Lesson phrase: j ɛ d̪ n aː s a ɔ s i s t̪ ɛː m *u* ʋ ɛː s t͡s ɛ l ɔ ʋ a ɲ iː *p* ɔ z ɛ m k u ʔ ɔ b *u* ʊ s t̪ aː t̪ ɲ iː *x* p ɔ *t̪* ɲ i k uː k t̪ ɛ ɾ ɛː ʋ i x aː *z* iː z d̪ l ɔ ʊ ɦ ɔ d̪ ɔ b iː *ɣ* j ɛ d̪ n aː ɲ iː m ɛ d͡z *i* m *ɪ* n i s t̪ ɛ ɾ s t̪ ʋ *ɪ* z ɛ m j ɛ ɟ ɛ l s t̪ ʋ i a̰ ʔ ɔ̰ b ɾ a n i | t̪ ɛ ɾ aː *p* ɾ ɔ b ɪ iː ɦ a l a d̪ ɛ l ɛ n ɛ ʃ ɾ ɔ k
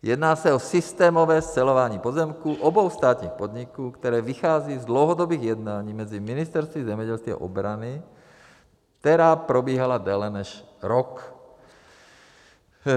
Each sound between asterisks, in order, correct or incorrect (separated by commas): incorrect, correct, incorrect, correct, incorrect, incorrect, correct, correct, incorrect, incorrect, correct